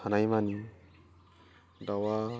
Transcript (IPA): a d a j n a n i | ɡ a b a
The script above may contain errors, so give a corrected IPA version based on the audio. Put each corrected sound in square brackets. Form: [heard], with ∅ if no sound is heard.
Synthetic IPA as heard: a [n] a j [m] a n i | [d] a [w] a